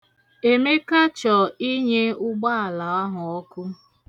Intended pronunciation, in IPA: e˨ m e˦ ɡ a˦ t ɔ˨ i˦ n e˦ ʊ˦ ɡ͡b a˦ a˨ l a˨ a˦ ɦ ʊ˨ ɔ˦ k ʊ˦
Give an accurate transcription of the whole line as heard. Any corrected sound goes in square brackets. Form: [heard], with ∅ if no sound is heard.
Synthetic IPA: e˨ m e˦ [k] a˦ [t͡ʃ] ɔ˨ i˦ [ɲ] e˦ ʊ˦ ɡ͡b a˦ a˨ l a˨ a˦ ɦ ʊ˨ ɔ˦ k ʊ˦